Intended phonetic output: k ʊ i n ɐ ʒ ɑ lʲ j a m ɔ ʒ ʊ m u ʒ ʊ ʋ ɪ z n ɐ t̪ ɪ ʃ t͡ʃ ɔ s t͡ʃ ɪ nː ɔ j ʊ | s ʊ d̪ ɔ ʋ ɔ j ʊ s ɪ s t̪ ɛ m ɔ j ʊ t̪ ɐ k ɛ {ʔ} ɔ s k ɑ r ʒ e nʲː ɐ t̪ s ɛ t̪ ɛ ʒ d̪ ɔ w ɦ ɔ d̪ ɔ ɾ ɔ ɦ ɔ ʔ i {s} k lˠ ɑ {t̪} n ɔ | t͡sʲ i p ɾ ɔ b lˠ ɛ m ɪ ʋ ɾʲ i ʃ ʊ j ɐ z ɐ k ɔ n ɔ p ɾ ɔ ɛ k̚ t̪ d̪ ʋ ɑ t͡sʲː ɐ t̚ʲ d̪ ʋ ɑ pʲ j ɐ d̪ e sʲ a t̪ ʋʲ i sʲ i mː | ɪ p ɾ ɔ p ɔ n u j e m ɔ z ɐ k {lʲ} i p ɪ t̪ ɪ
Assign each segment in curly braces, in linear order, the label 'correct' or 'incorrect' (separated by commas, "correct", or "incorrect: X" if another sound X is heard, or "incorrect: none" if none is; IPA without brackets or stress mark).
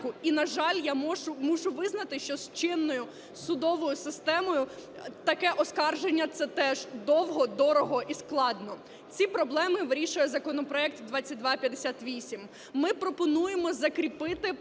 correct, correct, incorrect: d̪, incorrect: ɾʲ